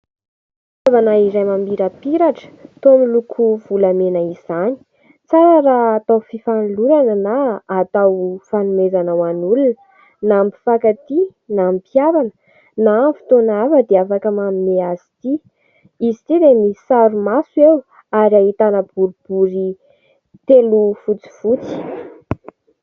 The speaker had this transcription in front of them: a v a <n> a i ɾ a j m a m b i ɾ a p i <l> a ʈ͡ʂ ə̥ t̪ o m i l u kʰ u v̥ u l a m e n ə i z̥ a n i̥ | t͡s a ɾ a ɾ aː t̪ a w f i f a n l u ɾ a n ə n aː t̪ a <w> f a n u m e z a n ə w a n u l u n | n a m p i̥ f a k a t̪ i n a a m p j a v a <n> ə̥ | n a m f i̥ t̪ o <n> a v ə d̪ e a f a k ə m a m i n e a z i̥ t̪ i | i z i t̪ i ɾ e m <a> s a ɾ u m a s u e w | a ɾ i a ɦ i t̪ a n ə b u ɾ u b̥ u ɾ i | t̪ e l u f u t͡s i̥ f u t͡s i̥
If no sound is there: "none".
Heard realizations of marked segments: n, ɾ, w, n, n, i

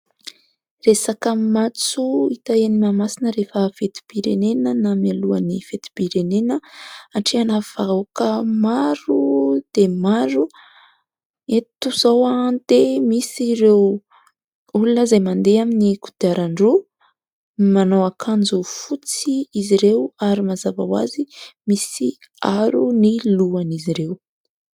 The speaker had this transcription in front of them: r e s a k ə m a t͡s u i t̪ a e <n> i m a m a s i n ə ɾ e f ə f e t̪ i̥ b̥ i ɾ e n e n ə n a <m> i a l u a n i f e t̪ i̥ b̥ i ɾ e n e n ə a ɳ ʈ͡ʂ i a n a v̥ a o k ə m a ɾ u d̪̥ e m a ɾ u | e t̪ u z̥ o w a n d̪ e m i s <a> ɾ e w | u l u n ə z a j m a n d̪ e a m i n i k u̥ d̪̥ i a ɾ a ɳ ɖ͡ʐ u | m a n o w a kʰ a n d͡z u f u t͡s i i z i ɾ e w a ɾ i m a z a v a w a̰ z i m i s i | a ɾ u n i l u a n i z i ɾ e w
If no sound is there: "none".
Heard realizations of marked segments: n, m, i

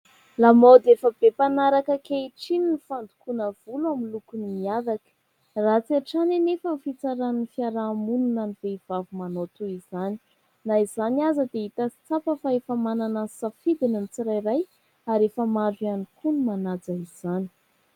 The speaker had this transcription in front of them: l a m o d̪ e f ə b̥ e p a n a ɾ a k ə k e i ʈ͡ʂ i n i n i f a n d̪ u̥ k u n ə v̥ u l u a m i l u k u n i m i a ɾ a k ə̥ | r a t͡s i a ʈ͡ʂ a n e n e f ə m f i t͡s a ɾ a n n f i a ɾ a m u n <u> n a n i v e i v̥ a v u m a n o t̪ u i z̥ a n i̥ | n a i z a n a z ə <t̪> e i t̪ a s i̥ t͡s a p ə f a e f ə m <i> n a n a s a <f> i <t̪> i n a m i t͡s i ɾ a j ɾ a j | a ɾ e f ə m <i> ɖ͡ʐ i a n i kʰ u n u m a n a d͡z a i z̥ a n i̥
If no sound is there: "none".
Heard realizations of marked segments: u, d̪, a, f, d̪, a

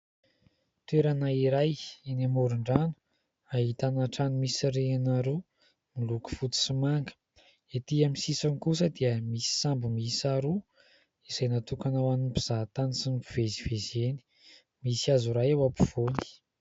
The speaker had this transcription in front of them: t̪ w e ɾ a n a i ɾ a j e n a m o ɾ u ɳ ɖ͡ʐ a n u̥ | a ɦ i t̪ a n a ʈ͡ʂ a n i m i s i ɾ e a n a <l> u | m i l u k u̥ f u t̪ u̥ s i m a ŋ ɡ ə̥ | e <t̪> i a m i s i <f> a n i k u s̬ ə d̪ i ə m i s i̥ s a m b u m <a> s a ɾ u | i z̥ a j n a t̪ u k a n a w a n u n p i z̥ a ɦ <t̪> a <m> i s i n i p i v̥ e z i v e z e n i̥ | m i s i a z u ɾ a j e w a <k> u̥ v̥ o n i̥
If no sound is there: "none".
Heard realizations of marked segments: ɾ, t̪, s, i, t̪, n, p

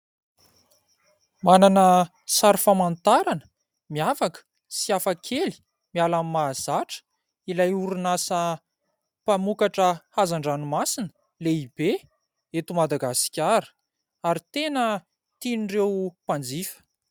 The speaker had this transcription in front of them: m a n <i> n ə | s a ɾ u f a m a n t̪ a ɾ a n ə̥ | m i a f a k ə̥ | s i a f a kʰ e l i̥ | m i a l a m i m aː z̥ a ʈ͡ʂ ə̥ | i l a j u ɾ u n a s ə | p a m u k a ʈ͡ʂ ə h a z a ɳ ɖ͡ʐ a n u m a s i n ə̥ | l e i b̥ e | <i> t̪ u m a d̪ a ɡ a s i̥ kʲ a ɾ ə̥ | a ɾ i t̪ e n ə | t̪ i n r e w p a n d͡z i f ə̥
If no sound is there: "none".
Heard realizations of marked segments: a, e

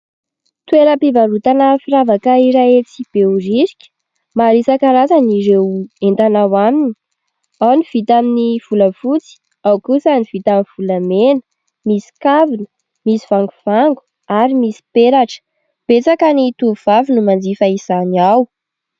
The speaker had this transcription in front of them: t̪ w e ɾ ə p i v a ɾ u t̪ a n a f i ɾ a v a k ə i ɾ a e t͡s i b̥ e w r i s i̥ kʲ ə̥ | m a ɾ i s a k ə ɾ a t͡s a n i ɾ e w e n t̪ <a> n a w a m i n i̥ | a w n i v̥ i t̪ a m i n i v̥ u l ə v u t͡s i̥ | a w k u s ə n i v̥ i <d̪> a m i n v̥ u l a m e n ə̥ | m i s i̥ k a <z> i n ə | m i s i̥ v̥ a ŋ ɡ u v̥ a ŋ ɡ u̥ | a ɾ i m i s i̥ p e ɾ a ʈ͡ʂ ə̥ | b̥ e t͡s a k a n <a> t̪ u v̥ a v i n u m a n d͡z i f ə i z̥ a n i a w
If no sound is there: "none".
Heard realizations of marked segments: a, t̪, v, i

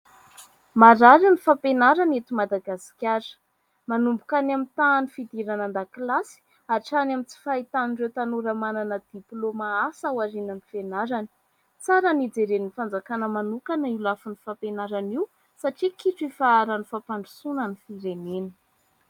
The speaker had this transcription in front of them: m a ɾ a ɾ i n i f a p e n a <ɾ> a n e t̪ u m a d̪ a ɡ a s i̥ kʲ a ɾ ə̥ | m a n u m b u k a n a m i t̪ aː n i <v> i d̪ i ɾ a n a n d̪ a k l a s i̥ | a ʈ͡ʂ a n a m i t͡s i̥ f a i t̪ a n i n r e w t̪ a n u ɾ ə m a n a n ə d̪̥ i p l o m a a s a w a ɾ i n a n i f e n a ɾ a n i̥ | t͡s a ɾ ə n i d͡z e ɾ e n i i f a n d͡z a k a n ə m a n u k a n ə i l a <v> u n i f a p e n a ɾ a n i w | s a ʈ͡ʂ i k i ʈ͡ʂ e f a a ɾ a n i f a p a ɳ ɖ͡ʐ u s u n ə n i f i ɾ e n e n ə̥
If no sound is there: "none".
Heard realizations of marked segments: ɾ, f, f

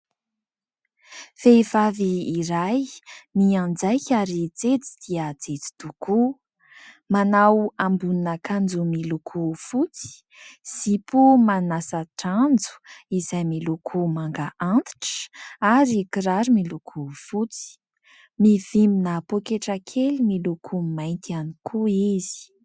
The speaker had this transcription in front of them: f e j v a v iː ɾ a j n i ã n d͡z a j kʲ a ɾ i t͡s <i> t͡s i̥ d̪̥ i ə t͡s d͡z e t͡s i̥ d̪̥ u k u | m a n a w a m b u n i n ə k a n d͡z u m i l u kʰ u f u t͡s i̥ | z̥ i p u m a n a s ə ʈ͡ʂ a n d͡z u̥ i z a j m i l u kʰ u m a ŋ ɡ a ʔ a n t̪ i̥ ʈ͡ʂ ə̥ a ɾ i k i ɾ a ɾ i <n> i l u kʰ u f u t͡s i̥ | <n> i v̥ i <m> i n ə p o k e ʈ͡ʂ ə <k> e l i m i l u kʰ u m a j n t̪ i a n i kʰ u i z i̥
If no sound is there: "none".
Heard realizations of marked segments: e, m, m, m, kʰ

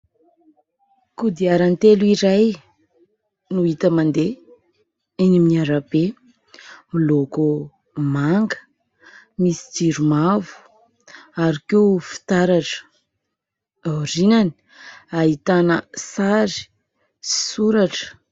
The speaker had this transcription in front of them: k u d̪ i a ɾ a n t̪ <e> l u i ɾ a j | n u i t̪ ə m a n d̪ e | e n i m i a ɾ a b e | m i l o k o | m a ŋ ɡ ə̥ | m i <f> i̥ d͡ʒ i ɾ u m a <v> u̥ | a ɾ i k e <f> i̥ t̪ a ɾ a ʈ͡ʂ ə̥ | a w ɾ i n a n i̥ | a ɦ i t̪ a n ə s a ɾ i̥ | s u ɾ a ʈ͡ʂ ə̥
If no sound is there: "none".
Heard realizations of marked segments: e, s, v, f

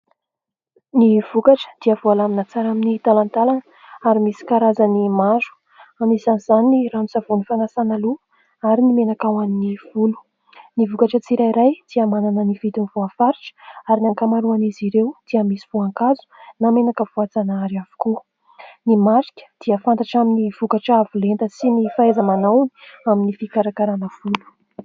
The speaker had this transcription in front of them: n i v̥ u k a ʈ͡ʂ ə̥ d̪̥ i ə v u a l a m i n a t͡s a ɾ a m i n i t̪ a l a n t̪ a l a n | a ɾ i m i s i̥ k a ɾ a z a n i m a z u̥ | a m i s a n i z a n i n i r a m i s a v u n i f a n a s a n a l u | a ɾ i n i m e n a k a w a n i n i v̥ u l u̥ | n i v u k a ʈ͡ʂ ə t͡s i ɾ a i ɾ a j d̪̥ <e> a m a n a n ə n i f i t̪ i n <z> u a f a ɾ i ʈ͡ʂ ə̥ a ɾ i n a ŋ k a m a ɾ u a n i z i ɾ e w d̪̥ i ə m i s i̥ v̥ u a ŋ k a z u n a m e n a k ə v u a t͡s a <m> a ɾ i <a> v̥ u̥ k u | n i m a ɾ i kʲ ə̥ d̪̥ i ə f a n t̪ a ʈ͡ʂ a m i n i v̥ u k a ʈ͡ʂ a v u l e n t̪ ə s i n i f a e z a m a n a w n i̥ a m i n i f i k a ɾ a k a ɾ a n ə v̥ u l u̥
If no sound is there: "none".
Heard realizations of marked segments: i, v, n, a

